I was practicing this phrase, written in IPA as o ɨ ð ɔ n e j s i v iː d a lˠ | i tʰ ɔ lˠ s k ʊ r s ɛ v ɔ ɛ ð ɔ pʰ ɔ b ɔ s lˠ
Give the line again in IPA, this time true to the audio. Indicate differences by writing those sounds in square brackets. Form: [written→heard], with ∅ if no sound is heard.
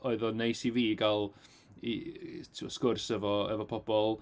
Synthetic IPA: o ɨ ð ɔ n e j s i v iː [d→ɡ] a lˠ | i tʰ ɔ [lˠ→∅] s k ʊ r s ɛ v ɔ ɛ [ð→v] ɔ pʰ ɔ b ɔ [s→∅] lˠ